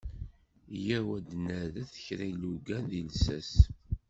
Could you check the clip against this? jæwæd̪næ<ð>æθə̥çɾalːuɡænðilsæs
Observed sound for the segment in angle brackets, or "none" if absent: ð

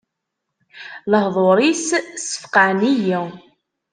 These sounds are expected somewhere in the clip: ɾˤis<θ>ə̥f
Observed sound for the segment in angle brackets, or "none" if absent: s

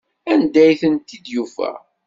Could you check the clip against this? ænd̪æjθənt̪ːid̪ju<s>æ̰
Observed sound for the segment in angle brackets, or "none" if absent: f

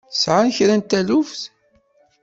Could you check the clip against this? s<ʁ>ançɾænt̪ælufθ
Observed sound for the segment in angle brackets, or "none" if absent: ʕ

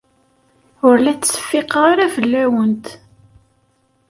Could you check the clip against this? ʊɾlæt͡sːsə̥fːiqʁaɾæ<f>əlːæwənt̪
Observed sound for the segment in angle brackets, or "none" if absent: v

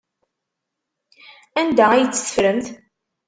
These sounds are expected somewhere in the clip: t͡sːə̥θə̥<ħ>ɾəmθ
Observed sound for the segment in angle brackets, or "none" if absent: f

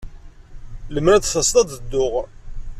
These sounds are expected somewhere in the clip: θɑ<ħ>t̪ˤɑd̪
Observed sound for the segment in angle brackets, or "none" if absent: s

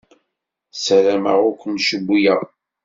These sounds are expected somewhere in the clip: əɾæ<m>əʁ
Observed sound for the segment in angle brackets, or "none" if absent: m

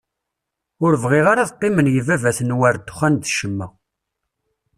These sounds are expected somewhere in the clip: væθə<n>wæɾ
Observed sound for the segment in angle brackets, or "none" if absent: n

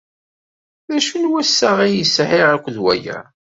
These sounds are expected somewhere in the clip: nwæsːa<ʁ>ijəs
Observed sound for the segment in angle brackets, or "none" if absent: ʁ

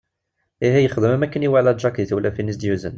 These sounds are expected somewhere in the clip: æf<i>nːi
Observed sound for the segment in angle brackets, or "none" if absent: i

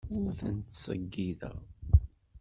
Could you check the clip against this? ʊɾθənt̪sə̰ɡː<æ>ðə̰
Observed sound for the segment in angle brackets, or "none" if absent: i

